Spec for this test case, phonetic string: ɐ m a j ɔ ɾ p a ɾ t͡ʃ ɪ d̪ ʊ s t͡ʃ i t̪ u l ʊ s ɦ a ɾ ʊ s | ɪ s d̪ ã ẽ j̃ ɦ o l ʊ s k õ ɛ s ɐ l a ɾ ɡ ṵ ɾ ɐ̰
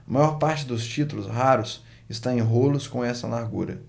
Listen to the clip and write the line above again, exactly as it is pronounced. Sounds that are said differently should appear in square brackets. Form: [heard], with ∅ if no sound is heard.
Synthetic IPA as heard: ɐ m a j ɔ ɾ p a ɾ t͡ʃ ɪ d̪ ʊ s t͡ʃ i t̪ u l ʊ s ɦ a ɾ ʊ s | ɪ s [t̪] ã ẽ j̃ ɦ o l ʊ s k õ ɛ s ɐ l a ɾ ɡ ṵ ɾ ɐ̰